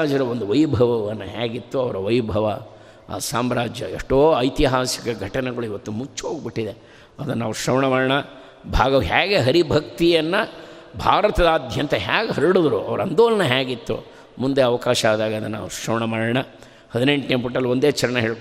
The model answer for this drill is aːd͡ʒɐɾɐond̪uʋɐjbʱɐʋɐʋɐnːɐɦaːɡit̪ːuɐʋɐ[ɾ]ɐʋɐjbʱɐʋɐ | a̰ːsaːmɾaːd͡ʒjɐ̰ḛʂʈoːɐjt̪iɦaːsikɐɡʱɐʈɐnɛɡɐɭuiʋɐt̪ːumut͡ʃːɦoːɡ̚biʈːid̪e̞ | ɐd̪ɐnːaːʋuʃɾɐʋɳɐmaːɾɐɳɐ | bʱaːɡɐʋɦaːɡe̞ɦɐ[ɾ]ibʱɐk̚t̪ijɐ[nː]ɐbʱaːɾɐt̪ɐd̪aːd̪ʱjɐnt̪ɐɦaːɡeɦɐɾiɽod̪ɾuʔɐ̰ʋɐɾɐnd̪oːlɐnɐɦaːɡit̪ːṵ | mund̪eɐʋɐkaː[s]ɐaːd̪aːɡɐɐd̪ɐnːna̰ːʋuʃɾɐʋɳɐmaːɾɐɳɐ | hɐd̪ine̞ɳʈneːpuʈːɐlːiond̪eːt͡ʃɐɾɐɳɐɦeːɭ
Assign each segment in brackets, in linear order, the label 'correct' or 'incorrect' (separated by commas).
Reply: correct, correct, correct, incorrect